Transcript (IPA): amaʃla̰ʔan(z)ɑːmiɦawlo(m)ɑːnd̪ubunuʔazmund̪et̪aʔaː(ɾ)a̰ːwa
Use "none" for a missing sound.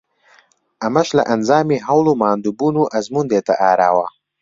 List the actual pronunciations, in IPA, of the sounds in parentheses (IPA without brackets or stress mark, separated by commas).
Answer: z, m, ɾ